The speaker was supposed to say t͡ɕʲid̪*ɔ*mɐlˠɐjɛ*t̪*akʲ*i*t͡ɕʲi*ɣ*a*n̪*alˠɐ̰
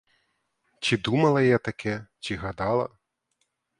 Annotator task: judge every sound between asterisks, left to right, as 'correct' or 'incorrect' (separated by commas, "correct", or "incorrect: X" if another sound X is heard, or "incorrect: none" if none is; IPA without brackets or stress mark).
incorrect: u, correct, incorrect: ɛ, correct, incorrect: d̪